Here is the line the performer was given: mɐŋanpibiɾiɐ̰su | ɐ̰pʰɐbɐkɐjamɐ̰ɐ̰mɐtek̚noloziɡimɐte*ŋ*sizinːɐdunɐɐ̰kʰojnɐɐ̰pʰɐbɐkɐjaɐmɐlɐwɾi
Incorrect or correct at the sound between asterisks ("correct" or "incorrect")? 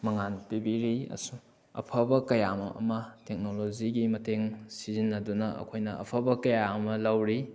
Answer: correct